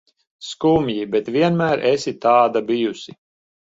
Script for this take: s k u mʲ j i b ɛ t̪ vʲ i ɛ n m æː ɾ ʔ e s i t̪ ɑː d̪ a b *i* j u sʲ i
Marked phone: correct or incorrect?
correct